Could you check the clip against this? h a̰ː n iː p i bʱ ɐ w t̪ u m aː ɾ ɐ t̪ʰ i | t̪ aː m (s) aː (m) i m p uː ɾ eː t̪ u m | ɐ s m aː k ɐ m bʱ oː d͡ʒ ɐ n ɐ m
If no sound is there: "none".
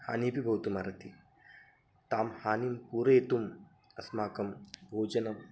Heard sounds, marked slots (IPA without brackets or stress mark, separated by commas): h, n